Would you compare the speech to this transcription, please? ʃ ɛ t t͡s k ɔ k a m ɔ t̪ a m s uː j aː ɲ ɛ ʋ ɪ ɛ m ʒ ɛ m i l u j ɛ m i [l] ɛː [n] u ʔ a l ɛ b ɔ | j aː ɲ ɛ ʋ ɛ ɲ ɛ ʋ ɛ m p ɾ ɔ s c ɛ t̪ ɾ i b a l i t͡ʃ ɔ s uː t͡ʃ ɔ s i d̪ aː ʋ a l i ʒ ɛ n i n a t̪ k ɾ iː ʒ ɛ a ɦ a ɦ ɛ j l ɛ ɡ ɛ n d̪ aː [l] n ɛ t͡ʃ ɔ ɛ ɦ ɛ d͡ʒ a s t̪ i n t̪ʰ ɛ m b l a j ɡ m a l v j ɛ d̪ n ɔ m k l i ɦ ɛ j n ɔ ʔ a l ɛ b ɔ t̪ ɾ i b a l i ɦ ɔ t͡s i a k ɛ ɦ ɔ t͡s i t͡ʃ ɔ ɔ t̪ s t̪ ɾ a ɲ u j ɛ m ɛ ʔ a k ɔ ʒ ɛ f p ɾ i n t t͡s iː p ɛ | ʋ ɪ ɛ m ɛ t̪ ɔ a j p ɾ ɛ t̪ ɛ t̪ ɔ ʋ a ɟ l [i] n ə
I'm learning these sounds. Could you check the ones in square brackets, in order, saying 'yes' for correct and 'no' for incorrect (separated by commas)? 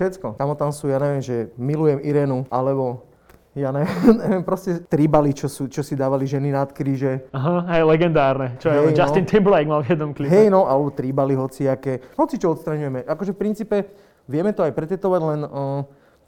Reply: no, yes, no, no